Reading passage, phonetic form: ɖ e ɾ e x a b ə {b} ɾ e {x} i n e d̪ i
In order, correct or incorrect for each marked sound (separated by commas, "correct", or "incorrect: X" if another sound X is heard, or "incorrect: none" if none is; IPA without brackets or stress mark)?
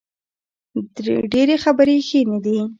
incorrect: none, correct